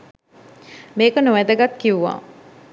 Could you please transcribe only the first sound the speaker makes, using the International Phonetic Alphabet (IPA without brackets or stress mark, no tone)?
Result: m